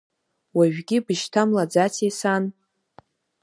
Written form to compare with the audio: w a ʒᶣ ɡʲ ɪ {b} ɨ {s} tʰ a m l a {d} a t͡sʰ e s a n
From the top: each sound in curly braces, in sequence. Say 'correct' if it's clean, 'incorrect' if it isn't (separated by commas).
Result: correct, incorrect, incorrect